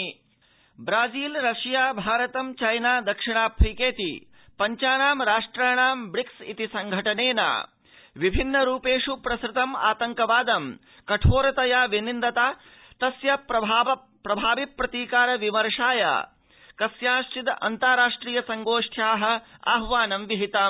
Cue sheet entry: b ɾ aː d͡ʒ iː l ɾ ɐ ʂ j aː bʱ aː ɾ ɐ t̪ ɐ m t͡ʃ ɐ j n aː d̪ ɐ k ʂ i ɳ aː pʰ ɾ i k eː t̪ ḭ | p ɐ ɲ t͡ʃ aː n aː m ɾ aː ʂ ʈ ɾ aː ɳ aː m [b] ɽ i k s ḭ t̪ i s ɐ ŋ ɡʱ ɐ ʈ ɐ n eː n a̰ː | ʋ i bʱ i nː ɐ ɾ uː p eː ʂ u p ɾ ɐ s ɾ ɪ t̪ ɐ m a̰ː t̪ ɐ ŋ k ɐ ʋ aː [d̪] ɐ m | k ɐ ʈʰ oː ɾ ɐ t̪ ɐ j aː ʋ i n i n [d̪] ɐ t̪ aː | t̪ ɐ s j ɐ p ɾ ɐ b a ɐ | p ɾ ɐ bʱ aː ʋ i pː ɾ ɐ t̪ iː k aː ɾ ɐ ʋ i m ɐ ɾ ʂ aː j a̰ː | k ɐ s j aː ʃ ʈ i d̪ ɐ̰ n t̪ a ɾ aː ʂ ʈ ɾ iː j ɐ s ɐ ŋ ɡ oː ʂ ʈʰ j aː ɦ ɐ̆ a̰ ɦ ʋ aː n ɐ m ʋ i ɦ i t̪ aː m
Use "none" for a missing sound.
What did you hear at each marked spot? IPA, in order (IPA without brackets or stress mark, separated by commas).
b, d̪, d̪